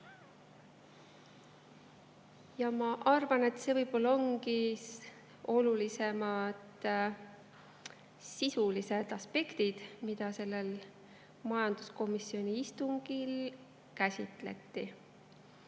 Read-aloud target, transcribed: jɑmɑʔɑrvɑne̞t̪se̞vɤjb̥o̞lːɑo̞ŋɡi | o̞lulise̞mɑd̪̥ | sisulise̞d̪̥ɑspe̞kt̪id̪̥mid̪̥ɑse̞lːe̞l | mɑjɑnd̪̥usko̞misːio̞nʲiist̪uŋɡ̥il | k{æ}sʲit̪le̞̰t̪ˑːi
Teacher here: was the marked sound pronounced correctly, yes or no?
yes